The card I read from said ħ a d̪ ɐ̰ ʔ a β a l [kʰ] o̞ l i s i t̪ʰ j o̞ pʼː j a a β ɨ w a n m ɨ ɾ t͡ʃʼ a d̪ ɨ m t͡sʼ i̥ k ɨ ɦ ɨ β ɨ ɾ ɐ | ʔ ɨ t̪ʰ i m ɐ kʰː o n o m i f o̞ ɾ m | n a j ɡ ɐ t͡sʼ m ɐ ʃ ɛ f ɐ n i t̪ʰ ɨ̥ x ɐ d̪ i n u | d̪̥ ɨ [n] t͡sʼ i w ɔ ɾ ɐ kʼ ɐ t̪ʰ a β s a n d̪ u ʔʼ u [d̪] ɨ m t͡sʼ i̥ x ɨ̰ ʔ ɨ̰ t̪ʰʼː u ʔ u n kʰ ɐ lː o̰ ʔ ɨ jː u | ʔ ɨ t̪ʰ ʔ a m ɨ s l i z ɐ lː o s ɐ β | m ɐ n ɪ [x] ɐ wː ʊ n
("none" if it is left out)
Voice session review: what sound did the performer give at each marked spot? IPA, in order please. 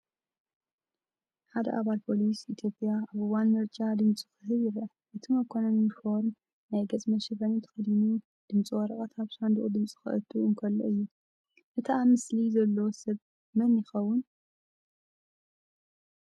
pʰ, m, d̪, x

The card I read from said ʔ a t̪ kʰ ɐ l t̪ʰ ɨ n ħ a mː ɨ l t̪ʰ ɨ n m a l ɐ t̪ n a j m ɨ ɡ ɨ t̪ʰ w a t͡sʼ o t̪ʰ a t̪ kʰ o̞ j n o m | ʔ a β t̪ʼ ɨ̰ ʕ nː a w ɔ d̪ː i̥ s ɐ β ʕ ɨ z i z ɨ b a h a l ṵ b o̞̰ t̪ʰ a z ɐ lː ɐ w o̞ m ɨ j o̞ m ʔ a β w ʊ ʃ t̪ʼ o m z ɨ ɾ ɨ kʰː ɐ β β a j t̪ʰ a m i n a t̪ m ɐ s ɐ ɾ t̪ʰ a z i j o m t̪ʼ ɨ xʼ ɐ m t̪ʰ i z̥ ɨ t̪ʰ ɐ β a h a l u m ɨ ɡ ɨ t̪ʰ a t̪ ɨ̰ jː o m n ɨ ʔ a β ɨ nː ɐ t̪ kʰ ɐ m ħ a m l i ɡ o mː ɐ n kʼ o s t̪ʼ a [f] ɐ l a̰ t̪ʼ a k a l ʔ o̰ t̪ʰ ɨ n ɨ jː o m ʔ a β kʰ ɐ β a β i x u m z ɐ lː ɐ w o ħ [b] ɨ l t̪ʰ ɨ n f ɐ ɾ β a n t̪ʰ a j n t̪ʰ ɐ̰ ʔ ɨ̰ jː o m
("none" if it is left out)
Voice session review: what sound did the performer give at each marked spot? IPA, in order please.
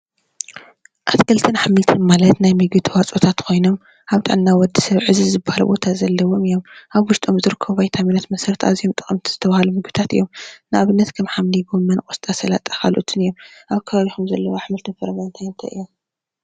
s, m

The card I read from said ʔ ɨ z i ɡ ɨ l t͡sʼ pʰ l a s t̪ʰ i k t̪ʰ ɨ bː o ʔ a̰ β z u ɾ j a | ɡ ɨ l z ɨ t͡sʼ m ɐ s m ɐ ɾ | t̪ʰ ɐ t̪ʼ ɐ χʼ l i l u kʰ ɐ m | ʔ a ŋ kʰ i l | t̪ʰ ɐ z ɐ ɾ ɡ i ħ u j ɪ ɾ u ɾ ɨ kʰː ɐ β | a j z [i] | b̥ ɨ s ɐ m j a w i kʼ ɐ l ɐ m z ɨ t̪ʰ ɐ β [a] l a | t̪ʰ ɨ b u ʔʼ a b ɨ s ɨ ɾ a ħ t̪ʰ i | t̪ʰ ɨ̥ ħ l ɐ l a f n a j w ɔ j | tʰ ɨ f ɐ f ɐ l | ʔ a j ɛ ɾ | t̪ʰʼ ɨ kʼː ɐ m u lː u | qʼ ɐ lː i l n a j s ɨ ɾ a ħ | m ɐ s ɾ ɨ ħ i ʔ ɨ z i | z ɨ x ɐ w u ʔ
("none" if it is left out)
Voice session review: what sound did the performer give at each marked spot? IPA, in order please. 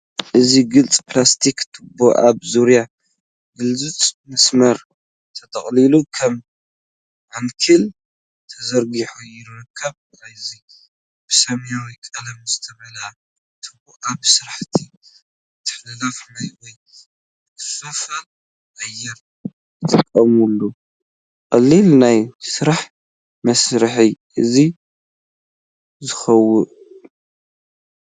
i, ɐ

